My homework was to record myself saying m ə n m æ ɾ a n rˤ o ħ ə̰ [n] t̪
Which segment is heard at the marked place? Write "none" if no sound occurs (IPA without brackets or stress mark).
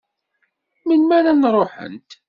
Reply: n